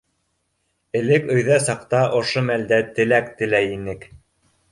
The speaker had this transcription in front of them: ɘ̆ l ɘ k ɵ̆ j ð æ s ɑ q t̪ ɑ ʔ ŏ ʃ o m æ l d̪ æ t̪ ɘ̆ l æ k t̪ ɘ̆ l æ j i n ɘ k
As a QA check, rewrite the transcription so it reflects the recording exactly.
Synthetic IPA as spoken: ɘ̆ l ɘ k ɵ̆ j ð æ s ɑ q t̪ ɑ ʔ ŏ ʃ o m æ l d̪ æ t̪ ɘ̆ l æ k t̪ ɘ̆ l æ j i n ɘ k